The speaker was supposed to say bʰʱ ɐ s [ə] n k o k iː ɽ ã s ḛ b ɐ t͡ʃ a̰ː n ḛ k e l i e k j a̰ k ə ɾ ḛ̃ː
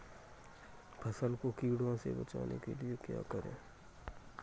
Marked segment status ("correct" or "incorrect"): correct